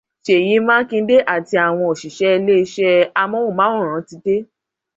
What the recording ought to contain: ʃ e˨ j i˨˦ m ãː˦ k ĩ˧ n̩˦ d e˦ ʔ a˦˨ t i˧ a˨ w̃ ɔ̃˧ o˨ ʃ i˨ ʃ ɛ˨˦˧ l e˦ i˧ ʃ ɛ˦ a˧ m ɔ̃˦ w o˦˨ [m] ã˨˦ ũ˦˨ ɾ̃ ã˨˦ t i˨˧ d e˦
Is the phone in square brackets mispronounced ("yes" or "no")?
no